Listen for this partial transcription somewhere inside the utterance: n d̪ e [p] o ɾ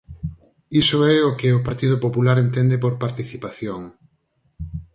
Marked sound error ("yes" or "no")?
no